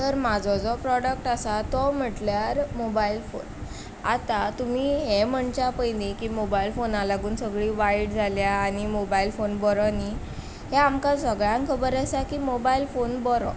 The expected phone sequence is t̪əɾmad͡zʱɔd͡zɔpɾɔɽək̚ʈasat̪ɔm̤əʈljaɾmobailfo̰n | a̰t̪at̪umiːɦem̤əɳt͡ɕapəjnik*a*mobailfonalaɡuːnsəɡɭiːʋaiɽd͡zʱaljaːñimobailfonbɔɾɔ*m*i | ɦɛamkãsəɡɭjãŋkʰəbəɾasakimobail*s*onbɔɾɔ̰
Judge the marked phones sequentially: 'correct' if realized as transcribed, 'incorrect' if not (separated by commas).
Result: incorrect, incorrect, incorrect